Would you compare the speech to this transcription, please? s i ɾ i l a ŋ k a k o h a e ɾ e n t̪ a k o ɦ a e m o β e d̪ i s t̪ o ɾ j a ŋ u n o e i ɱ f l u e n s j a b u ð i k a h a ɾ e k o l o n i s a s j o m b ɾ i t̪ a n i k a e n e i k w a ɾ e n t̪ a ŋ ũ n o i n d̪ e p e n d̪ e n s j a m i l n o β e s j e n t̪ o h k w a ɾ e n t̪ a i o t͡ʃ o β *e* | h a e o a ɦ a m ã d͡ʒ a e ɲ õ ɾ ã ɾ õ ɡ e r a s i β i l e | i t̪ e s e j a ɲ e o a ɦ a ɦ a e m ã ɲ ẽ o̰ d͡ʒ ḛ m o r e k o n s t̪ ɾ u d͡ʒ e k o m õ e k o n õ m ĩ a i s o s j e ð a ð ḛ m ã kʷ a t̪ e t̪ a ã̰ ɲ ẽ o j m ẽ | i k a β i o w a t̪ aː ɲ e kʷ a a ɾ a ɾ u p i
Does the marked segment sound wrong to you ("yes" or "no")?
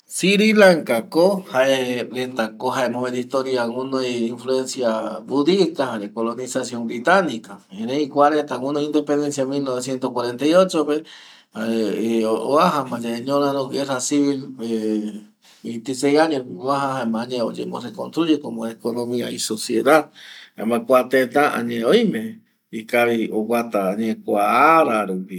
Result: no